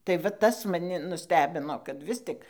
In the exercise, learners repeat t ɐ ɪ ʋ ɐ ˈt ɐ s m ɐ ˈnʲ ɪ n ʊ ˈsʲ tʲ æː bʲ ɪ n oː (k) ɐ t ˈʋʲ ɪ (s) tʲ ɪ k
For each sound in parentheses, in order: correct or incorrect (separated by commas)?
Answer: correct, correct